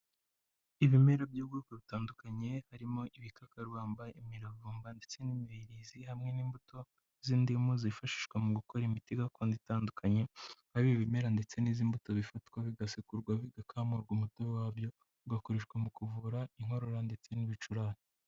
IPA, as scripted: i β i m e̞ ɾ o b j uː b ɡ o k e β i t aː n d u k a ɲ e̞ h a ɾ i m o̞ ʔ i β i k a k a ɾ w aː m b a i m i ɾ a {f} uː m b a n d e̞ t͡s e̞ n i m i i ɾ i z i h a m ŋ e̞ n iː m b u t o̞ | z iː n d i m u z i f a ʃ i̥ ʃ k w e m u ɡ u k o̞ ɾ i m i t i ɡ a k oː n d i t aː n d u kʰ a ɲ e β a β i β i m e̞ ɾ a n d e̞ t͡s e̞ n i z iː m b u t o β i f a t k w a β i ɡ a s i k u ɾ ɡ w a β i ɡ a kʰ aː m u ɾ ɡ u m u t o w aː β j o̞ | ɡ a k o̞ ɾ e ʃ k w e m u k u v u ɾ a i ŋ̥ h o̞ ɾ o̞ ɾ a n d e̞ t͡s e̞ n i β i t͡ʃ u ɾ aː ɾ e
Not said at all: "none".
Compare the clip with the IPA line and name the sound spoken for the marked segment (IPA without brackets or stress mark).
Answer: v